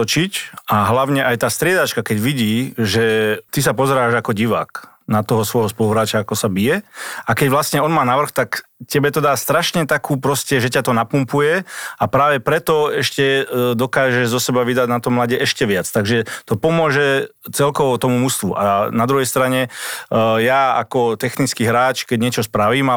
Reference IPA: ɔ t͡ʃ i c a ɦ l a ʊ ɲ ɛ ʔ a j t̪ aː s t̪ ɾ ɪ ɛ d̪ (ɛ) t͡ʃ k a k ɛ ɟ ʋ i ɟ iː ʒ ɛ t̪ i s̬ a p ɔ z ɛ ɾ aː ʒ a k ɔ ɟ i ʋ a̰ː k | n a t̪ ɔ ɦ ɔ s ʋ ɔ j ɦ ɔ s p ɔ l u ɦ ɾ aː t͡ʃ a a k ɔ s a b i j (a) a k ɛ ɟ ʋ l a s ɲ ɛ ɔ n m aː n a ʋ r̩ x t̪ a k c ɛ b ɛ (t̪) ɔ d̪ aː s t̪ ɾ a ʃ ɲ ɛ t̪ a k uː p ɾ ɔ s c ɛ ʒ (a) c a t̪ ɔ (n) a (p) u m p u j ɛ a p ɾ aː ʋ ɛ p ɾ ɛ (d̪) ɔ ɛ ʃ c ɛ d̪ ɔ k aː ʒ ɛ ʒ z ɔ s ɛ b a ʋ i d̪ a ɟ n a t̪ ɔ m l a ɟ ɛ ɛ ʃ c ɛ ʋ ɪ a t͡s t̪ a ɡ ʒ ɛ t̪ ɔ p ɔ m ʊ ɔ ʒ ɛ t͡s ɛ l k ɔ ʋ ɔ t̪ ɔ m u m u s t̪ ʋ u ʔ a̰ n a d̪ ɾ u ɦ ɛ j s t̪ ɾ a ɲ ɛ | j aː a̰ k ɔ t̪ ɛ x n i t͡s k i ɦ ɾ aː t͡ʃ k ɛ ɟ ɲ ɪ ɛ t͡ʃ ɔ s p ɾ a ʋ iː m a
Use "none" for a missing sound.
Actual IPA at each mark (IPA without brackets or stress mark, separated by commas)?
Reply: a, ɛ, t̪, ɛ, n, p, t̪